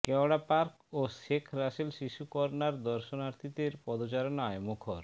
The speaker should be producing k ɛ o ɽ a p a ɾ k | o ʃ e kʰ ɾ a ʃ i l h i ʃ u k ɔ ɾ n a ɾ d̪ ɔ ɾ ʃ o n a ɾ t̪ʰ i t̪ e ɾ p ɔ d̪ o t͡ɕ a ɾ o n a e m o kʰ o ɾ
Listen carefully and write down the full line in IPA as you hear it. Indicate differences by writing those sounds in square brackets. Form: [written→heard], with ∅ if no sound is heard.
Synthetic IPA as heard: k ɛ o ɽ a p a ɾ k | o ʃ e kʰ ɾ a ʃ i l [h→ʃ] i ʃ u k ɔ ɾ n a ɾ d̪ ɔ ɾ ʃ o n a ɾ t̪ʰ i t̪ e ɾ p ɔ d̪ o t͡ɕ a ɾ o n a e m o kʰ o ɾ